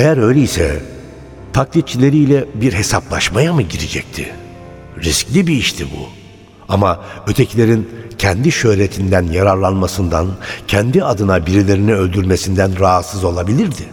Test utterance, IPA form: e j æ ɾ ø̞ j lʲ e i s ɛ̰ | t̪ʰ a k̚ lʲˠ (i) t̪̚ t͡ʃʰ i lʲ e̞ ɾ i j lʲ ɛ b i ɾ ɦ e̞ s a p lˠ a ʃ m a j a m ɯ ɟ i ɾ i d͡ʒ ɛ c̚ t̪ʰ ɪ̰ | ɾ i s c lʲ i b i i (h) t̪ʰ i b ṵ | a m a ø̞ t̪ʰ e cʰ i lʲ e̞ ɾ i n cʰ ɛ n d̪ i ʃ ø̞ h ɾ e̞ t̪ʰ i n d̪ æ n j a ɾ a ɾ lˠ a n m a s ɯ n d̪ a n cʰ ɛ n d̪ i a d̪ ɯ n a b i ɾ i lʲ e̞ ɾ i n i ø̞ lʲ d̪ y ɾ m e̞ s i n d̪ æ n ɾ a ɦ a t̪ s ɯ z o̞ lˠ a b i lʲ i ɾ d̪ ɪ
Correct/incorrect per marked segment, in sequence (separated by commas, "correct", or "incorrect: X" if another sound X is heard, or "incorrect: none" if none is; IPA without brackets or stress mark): correct, incorrect: ʃ